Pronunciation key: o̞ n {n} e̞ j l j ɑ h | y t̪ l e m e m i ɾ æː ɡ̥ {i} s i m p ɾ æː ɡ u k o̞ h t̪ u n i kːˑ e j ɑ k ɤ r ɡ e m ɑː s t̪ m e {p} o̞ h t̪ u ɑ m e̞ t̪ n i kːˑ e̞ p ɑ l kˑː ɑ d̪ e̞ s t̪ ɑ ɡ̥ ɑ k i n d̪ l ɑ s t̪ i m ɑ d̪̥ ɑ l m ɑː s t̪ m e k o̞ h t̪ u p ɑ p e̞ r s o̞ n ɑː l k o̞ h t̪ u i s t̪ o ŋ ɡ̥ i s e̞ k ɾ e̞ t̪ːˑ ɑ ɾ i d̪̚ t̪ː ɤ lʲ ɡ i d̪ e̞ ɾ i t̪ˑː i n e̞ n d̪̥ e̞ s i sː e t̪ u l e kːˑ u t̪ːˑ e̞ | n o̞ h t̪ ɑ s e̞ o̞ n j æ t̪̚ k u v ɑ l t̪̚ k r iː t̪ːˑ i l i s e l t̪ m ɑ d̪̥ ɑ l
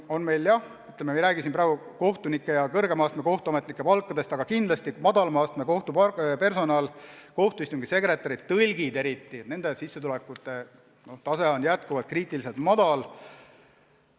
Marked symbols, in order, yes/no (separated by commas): no, yes, no